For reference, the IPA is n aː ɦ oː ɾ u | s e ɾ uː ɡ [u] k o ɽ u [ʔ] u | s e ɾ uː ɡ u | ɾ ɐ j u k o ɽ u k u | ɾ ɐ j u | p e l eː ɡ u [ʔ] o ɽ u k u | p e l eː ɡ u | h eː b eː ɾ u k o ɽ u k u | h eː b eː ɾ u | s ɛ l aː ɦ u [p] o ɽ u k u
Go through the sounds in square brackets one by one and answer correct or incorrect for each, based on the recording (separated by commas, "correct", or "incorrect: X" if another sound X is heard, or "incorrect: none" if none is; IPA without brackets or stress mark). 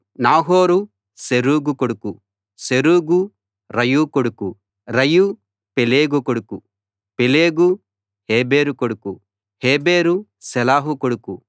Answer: correct, incorrect: k, incorrect: k, incorrect: k